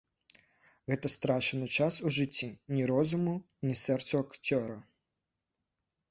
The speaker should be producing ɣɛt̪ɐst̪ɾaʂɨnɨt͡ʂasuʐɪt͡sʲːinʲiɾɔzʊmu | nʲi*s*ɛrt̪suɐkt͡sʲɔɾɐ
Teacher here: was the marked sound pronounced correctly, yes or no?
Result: yes